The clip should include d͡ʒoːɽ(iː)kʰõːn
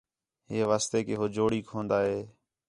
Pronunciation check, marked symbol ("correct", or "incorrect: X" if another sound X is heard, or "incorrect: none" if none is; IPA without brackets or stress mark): correct